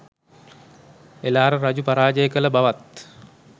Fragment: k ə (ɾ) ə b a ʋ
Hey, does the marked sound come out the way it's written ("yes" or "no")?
no